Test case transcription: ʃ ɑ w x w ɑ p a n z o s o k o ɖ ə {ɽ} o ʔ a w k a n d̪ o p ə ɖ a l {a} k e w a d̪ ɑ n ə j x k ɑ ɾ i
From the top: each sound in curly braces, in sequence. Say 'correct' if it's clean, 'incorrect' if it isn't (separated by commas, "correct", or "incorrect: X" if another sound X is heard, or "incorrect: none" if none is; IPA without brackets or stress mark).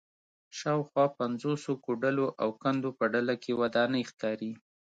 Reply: incorrect: l, correct